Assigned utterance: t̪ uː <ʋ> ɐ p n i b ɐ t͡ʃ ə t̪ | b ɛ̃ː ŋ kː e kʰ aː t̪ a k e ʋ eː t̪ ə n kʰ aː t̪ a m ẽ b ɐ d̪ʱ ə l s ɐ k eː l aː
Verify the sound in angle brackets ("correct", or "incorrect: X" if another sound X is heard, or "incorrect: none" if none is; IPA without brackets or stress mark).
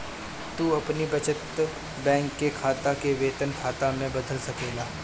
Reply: incorrect: none